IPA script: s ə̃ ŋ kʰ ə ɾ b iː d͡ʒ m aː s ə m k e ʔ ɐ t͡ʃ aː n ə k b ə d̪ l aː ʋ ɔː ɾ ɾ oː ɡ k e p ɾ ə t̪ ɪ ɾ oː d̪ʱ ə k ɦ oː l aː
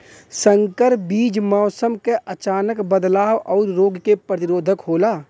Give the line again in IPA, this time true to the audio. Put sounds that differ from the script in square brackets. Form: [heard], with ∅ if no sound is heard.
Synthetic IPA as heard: s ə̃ ŋ [k] ə ɾ b iː d͡ʒ m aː s ə m k e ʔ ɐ t͡ʃ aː n ə k b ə d̪ l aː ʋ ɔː ɾ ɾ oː ɡ k e p ɾ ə t̪ ɪ ɾ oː d̪ʱ ə k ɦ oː l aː